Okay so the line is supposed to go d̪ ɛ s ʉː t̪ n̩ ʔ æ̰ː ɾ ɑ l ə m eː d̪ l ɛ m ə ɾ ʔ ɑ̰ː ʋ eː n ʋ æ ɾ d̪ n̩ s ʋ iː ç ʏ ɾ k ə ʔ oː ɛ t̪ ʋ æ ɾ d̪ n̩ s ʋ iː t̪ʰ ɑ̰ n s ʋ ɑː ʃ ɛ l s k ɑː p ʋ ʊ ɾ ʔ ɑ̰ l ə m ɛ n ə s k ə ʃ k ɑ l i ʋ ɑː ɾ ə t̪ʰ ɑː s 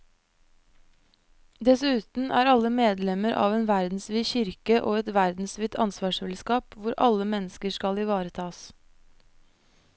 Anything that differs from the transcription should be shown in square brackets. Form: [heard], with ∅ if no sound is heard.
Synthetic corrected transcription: d̪ ɛ s ʉː t̪ n̩ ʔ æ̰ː ɾ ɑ l ə m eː d̪ l ɛ m ə ɾ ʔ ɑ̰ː ʋ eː n ʋ æ ɾ d̪ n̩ s ʋ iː ç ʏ ɾ k ə ʔ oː ɛ t̪ ʋ æ ɾ d̪ n̩ s ʋ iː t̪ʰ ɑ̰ n s ʋ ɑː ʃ ɛ l s k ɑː p ʋ ʊ ɾ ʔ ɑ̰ l ə m ɛ n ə s k ə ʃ k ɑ l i ʋ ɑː ɾ ə t̪ʰ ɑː s